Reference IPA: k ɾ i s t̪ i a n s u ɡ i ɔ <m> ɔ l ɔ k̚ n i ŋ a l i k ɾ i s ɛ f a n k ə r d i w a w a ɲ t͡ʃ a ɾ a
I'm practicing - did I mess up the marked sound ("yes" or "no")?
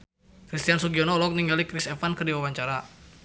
yes